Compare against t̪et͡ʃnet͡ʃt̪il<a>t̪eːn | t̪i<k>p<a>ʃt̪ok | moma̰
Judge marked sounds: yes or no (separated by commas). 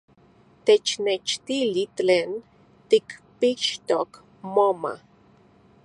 no, yes, no